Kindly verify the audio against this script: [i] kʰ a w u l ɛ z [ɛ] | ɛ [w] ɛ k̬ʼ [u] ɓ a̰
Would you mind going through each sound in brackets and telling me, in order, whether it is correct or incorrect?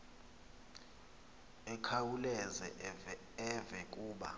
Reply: incorrect: ɛ, correct, incorrect: v, incorrect: uː

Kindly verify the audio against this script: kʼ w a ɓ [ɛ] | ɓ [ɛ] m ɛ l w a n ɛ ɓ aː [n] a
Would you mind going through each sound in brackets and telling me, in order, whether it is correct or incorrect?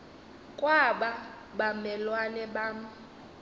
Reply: incorrect: a, incorrect: a, incorrect: m

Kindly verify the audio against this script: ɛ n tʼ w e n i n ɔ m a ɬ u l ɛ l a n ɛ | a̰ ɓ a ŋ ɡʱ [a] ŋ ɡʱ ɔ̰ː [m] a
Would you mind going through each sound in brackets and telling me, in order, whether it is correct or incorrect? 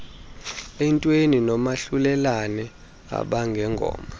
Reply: incorrect: ɛ, correct

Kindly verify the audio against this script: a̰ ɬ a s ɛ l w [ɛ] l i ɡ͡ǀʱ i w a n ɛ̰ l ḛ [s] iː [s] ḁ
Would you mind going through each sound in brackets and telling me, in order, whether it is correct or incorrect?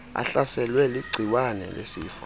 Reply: correct, correct, incorrect: f

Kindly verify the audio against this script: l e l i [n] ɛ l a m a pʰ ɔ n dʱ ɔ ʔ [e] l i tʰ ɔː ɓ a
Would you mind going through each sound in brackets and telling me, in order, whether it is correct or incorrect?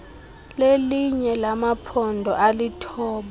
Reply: incorrect: ɲ, incorrect: a

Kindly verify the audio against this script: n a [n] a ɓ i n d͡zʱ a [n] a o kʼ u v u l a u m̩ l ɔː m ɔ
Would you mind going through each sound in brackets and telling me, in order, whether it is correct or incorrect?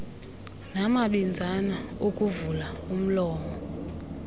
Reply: incorrect: m, correct

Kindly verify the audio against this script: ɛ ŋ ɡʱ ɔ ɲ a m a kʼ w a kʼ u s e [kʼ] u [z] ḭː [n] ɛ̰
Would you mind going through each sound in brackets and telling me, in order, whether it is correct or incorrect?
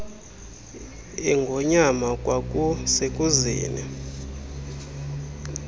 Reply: correct, correct, correct

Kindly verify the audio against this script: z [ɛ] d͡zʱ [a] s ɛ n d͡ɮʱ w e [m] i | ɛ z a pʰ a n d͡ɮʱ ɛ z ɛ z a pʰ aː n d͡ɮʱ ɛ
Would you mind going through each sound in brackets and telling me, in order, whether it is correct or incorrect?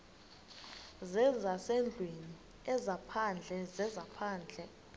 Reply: correct, correct, incorrect: n

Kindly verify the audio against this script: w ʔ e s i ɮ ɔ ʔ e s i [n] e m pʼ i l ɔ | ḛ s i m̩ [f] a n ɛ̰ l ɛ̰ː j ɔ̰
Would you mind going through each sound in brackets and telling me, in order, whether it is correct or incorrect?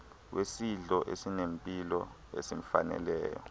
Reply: correct, correct

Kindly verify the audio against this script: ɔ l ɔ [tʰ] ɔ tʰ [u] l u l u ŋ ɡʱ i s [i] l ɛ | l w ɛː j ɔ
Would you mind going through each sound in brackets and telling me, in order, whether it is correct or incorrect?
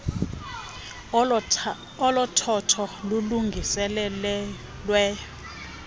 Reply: correct, incorrect: ɔ, incorrect: ɛ

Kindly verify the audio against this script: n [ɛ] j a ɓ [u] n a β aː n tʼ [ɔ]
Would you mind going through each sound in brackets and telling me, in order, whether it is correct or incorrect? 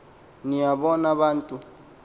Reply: incorrect: i, incorrect: ɔ, incorrect: u

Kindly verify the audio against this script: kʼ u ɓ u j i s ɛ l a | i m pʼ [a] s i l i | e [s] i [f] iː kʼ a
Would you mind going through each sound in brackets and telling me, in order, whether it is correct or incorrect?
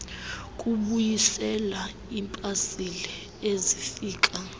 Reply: correct, incorrect: z, correct

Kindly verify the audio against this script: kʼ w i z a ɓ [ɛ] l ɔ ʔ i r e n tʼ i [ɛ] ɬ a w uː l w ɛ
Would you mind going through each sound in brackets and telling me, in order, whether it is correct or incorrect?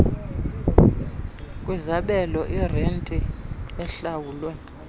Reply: correct, correct

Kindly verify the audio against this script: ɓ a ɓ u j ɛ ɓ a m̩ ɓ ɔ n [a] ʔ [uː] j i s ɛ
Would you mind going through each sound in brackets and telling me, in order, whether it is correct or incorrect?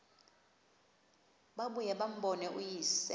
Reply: incorrect: ɛ, incorrect: u

